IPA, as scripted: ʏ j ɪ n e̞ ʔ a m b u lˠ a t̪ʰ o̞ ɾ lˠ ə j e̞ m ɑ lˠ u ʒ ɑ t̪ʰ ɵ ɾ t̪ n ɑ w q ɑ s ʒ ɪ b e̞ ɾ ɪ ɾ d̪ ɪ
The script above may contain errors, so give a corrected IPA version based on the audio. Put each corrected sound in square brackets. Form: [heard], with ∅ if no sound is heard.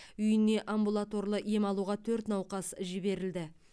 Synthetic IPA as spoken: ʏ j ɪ n e̞ ʔ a m b u lˠ a [t̪] o̞ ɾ lˠ ə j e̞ m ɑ lˠ u [ʁ] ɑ t̪ʰ ɵ ɾ t̪ n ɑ w q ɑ s ʒ ɪ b e̞ ɾ ɪ [l] d̪ ɪ